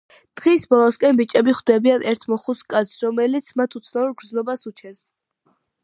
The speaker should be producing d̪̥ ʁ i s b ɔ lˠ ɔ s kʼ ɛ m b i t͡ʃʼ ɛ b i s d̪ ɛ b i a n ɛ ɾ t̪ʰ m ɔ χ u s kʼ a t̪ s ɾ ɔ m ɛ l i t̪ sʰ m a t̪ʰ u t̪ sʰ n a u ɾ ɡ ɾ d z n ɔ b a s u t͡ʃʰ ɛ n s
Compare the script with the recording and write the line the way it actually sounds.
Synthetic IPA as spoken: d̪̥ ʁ i s b ɔ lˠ ɔ s kʼ ɛ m b i t͡ʃʼ ɛ b i χ d̪ ɛ b i a n ɛ ɾ t̪ʰ m ɔ χ u s kʼ a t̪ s ɾ ɔ m ɛ l i t̪ sʰ m a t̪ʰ u t̪ sʰ n a u ɾ ɡ ɾ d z n ɔ b a s u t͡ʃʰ ɛ n s